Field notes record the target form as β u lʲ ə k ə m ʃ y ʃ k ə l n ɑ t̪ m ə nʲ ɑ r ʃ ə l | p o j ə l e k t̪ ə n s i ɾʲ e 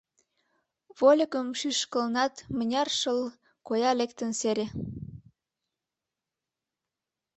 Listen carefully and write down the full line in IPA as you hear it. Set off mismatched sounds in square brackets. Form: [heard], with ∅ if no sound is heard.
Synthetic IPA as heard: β [o] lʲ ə k ə m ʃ y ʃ k ə l n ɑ t̪ m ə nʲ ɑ r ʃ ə l | [k] o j [ɑ] l e k t̪ ə n s [e] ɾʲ e

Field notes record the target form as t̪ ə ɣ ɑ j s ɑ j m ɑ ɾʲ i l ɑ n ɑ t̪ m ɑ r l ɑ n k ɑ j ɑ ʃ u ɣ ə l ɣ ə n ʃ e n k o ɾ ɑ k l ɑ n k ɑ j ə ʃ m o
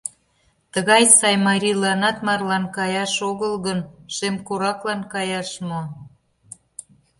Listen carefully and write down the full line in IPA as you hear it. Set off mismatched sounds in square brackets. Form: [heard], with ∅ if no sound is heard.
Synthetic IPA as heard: t̪ ə ɣ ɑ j s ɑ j m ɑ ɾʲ i l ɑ n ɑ t̪ m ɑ r l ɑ n k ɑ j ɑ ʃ [o] ɣ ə l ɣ ə n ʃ e [m] k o ɾ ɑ k l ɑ n k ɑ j [ɑ] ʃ m o

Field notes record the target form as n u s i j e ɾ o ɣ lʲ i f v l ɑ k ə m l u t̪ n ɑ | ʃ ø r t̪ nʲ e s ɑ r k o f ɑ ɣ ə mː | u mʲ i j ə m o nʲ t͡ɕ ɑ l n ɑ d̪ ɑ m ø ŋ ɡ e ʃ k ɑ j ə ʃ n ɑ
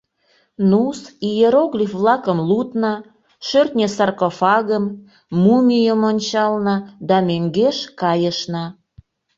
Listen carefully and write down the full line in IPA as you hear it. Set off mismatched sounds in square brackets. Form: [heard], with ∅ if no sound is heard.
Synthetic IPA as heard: n u s i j e ɾ o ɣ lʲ i f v l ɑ k ə m l u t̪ n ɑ | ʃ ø r t̪ nʲ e s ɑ r k o f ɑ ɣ ə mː | u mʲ i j ə m o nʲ t͡ɕ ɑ l n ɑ d̪ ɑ m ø ŋ ɡ e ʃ k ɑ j ə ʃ n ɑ

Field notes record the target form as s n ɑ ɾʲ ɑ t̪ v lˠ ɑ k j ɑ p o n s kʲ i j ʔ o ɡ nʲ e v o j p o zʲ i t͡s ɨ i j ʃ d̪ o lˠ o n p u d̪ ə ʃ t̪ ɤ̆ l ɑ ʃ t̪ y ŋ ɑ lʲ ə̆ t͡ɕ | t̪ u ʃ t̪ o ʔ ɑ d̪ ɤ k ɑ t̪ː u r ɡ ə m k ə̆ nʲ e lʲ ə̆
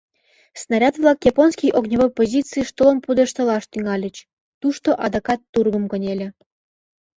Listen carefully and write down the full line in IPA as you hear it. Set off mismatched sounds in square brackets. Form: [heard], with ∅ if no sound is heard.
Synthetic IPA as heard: s n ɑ ɾʲ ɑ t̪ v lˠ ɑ k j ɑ p o n s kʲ i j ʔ o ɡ nʲ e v o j p o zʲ i t͡s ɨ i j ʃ [t̪] o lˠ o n p u d̪ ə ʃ t̪ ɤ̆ l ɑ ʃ t̪ y ŋ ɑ lʲ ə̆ t͡ɕ | t̪ u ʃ t̪ o ʔ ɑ d̪ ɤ k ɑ t̪ː u r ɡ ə m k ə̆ nʲ e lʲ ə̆

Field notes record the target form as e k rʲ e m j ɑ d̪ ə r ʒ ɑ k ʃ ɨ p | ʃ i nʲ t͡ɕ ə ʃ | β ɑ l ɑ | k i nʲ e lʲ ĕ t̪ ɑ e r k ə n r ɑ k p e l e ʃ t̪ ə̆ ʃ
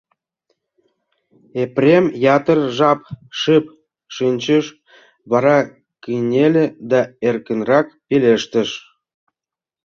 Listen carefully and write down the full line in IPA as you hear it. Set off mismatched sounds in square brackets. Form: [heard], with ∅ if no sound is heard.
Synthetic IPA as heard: e [p] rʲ e m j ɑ [t̪] ə r ʒ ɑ [p] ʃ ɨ p | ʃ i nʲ t͡ɕ ə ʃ | β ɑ [ɾ] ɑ | k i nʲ e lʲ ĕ [d̪] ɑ e r k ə n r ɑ k p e l e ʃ t̪ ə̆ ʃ

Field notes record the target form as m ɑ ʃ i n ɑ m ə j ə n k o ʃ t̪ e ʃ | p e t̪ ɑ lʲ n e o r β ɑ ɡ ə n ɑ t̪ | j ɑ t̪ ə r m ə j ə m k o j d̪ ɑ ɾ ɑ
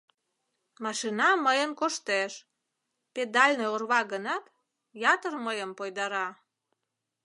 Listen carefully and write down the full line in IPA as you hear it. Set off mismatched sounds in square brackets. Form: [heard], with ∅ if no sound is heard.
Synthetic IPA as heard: m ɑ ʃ i n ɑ m ə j ə n k o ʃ t̪ e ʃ | p e [d̪] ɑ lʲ n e o r β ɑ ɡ ə n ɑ t̪ | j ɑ t̪ ə r m ə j ə m [p] o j d̪ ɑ ɾ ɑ

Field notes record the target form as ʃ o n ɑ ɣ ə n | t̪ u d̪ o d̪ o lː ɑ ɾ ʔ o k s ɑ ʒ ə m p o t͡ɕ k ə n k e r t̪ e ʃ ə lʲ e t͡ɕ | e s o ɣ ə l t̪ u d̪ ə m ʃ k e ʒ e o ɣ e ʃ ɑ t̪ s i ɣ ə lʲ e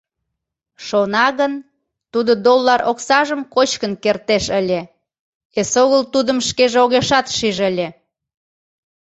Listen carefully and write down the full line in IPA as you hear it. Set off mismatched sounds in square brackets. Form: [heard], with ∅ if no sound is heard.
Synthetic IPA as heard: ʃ o n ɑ ɣ ə n | t̪ u d̪ o d̪ o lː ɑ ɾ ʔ o k s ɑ ʒ ə m [k] o t͡ɕ k ə n k e r t̪ e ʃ ə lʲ e [∅] | e s o ɣ ə l t̪ u d̪ ə m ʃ k e ʒ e o ɣ e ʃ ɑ t̪ [ʃ] i [ʒ] ə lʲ e

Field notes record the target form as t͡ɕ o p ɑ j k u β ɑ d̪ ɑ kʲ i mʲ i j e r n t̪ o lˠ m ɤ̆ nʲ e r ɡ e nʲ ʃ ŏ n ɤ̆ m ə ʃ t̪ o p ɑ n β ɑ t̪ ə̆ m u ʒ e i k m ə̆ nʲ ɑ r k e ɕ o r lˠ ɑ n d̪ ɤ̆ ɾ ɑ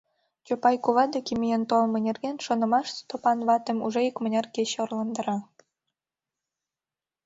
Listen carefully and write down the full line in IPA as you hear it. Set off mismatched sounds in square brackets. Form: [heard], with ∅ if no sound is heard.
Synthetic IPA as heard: t͡ɕ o p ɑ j k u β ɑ d̪ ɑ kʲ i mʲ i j e [∅] n t̪ o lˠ m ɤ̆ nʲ e r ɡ e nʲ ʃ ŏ n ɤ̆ m [ɑ] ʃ t̪ o p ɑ n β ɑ t̪ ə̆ m u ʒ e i k m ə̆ nʲ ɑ r k e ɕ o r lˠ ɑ n d̪ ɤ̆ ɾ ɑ

